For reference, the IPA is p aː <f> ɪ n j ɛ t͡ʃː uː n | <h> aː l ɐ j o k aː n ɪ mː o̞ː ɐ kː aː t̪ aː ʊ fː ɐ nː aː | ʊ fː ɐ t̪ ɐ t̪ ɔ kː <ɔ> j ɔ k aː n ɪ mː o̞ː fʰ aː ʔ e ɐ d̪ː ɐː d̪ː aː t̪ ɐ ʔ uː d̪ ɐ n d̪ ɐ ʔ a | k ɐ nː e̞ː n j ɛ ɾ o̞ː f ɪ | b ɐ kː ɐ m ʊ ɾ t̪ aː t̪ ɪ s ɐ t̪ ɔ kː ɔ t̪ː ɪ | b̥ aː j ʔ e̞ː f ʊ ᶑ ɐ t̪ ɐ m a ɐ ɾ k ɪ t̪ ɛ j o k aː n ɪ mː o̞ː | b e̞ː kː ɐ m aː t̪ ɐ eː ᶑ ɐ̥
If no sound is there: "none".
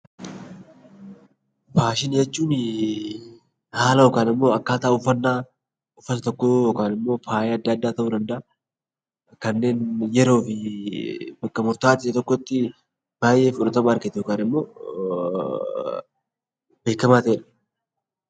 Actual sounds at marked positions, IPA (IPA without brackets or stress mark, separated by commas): ʃ, h, o